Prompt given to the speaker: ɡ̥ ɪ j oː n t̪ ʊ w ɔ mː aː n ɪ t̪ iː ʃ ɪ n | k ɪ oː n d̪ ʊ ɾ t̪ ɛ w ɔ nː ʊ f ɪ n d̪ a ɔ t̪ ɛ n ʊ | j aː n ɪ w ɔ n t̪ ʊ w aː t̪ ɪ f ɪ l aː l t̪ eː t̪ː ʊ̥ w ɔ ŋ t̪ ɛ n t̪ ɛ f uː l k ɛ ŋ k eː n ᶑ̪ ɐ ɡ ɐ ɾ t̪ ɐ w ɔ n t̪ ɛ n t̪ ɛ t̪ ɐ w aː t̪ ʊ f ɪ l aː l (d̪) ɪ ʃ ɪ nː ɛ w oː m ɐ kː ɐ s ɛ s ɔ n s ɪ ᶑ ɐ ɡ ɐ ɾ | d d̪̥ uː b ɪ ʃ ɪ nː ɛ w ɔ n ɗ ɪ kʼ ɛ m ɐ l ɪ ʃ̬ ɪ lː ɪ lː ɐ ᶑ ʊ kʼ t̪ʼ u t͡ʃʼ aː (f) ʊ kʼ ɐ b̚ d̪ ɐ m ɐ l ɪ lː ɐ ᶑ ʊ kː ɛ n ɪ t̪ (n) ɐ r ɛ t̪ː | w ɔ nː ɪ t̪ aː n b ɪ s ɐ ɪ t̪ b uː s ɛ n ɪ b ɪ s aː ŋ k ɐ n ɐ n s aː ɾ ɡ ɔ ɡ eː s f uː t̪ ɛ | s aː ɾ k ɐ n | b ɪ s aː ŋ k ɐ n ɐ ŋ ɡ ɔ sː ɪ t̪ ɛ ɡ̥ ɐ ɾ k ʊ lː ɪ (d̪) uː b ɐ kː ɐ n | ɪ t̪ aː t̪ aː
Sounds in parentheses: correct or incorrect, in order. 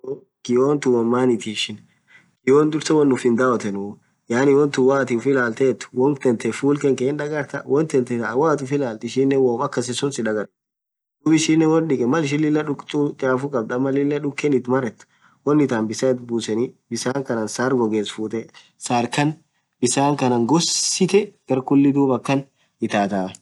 incorrect, correct, incorrect, correct

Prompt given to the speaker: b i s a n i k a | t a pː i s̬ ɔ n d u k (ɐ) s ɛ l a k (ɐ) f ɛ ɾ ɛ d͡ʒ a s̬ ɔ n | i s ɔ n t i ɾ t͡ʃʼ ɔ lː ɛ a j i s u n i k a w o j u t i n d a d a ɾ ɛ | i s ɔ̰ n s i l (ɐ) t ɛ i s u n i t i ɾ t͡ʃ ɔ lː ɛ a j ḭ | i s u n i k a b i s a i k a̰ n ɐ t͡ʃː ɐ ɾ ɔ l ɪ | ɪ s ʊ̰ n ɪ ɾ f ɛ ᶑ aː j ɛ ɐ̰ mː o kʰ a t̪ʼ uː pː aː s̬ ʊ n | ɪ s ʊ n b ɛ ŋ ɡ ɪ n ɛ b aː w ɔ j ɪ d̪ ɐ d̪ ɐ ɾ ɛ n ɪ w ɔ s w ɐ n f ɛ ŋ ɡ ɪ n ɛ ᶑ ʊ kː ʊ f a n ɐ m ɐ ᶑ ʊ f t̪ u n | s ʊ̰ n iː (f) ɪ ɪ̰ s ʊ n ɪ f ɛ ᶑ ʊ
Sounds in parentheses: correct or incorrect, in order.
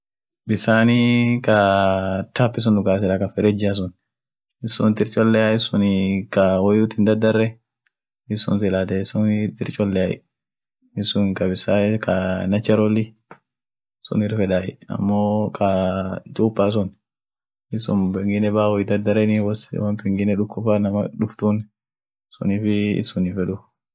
incorrect, incorrect, incorrect, correct

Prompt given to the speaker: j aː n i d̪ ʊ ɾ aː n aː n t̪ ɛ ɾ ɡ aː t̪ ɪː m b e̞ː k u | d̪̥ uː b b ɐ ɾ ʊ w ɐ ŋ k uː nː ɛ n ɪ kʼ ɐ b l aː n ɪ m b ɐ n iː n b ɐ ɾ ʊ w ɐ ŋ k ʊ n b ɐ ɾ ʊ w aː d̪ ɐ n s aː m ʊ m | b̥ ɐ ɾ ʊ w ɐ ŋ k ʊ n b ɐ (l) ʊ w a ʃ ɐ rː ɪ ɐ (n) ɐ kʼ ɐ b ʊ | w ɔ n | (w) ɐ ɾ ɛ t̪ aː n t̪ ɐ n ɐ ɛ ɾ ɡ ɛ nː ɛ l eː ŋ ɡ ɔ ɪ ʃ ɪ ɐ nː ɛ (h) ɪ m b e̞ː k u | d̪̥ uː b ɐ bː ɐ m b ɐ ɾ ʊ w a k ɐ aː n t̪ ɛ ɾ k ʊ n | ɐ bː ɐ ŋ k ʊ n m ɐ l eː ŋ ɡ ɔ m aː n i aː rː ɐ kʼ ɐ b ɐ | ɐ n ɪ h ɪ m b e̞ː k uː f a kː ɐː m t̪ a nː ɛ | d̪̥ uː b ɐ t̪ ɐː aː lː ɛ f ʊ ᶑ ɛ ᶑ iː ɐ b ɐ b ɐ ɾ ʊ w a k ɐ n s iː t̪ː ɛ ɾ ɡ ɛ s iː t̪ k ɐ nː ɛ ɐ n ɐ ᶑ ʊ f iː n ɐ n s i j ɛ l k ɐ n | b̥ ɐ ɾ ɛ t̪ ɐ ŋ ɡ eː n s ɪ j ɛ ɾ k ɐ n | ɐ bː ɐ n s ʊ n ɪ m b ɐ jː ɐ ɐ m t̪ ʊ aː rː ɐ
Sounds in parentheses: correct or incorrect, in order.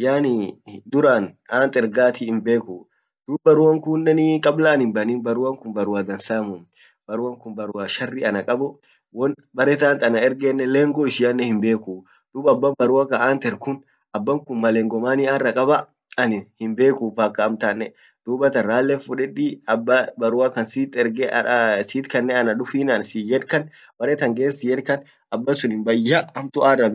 incorrect, correct, incorrect, correct

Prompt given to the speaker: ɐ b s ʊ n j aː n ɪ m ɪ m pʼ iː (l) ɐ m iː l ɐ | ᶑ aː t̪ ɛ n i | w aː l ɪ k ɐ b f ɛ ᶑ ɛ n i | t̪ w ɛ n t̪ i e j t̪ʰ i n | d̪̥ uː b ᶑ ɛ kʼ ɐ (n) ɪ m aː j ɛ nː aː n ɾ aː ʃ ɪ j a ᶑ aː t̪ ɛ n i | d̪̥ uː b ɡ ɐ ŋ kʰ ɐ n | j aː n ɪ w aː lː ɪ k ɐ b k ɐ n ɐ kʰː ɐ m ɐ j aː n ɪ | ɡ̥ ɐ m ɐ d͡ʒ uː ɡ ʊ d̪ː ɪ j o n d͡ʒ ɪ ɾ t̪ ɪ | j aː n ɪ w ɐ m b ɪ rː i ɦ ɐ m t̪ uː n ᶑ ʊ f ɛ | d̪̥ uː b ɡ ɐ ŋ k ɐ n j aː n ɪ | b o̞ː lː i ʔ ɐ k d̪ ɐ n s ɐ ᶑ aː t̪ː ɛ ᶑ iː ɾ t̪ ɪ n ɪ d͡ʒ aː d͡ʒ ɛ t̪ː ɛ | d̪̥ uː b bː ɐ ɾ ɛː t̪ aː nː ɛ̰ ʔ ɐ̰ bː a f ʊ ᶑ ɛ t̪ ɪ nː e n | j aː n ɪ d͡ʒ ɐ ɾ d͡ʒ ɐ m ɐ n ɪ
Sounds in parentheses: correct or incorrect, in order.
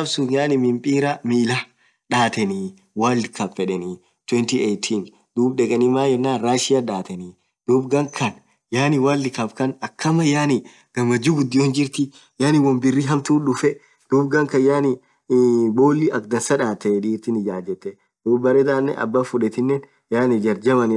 incorrect, correct

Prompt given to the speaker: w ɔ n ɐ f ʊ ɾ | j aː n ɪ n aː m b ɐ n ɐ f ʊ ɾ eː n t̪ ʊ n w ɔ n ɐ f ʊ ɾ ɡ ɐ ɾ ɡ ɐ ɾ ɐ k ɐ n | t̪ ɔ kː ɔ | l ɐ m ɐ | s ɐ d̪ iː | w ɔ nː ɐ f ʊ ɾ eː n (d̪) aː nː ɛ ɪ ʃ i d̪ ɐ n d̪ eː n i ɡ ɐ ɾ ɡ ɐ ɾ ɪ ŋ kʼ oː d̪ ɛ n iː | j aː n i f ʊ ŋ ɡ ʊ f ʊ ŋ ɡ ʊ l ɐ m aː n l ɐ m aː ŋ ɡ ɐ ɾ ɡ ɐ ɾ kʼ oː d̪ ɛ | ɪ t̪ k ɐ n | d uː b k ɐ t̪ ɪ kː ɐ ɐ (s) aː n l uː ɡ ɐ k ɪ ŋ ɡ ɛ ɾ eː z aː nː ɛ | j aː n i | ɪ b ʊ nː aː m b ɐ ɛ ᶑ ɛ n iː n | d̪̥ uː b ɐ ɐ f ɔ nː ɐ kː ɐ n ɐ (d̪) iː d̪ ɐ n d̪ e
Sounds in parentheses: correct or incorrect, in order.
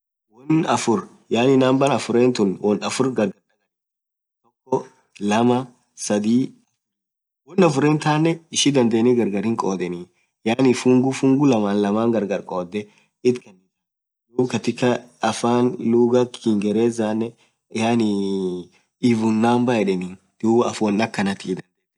incorrect, incorrect, incorrect

